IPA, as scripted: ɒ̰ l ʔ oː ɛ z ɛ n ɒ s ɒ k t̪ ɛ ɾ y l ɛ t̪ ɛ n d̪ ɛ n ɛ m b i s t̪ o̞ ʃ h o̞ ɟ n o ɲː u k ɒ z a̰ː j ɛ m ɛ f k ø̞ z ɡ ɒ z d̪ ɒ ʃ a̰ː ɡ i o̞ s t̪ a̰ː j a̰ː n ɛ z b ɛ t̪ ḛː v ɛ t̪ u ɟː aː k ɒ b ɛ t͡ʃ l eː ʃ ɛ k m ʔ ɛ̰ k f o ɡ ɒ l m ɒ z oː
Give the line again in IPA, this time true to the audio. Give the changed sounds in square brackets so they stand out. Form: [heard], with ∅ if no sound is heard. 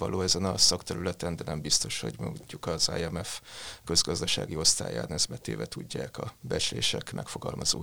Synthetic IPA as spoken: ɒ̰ l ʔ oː ɛ z ɛ n ɒ s ɒ k t̪ ɛ ɾ y l ɛ t̪ ɛ n d̪ ɛ n ɛ m b i s t̪ o̞ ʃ h o̞ ɟ [m] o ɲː u k ɒ z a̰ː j ɛ m ɛ f k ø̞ z ɡ ɒ z d̪ ɒ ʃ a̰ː ɡ i o̞ s t̪ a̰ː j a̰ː n ɛ z b ɛ t̪ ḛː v ɛ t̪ u ɟː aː k ɒ b ɛ t͡ʃ l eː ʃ ɛ k m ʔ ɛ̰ k f o ɡ ɒ l m ɒ z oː